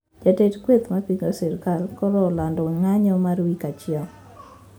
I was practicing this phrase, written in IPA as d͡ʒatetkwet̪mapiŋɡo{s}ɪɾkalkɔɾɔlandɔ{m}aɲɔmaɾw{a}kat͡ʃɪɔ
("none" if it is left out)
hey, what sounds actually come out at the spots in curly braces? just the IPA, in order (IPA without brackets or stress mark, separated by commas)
s, ŋ, i